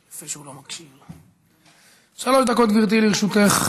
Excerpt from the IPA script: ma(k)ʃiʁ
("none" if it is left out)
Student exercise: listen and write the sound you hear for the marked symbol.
k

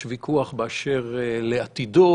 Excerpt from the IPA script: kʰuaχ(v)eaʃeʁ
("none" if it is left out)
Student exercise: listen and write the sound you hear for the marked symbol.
b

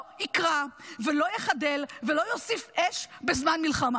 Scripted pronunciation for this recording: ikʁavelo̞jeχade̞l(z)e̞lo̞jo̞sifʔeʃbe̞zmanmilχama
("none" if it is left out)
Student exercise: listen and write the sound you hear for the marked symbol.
v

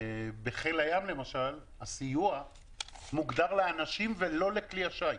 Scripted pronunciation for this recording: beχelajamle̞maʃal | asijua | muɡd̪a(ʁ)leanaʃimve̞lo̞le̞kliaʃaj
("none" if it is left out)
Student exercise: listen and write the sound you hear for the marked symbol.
ʁ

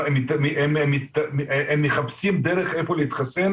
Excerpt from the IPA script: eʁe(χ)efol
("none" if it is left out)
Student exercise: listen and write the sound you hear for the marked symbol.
χ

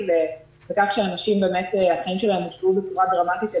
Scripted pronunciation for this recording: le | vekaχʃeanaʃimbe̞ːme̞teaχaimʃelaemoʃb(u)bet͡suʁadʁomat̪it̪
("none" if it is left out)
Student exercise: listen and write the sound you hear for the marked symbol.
u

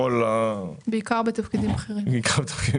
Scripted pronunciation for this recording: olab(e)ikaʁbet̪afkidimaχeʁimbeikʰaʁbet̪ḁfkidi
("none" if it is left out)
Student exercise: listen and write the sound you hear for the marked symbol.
e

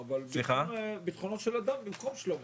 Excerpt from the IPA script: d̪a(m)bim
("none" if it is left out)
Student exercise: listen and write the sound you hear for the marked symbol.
m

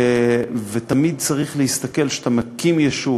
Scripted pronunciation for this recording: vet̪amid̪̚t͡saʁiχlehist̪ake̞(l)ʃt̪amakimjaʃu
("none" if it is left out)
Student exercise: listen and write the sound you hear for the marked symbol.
l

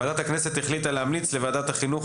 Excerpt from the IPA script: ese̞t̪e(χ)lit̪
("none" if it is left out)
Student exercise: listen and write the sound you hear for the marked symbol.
χ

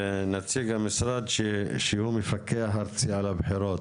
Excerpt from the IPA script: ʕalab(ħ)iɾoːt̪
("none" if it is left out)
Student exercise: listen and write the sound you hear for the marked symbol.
ħ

